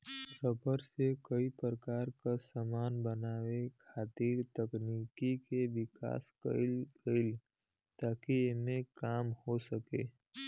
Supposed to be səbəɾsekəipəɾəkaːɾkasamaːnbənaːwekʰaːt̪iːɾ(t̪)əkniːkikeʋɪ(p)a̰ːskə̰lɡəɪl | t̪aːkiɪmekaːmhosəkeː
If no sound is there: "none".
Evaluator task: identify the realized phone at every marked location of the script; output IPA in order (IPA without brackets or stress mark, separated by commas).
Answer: t̪, k